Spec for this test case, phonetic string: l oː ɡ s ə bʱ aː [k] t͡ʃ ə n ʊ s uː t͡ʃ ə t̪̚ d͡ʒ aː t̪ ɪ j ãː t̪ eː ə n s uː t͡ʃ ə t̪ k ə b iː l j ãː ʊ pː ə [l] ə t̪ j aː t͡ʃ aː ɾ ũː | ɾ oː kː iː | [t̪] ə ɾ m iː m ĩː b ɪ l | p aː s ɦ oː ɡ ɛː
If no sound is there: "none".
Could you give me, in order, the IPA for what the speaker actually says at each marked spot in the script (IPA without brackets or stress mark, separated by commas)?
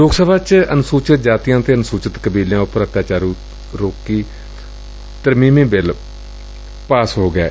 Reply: none, ɾ, t̪